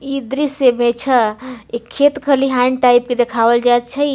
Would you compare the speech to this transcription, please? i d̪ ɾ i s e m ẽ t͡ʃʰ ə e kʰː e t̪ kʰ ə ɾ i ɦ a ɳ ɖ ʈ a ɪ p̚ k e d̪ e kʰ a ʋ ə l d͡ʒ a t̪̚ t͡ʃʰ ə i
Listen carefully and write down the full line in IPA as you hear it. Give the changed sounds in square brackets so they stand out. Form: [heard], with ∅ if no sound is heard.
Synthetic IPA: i d̪ ɾ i s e m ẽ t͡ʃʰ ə e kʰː e t̪ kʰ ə [l] i ɦ a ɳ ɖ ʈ a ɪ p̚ k e d̪ e kʰ a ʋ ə l d͡ʒ a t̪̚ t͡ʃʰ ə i